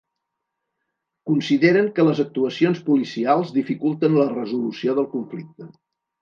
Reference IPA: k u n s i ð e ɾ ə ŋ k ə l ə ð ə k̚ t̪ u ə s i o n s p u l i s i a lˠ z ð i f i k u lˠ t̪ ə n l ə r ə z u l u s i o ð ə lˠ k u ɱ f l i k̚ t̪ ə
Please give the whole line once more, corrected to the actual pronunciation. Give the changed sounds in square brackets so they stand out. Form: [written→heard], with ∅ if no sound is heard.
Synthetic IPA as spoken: k u n s i ð e ɾ ə ŋ k ə l ə [ð→z] ə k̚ t̪ u ə s i o n s p u l i s i a lˠ z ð i f i k u lˠ t̪ ə n l ə r ə z u l u s i o ð ə lˠ k u ɱ f l i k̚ t̪ ə